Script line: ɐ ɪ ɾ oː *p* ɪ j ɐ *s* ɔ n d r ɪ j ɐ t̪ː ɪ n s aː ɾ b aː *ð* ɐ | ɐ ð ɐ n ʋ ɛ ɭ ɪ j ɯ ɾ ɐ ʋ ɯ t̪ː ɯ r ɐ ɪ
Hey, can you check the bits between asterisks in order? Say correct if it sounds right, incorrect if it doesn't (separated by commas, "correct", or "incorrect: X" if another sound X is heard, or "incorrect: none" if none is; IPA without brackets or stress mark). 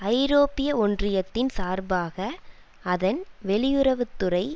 correct, incorrect: none, incorrect: ɣ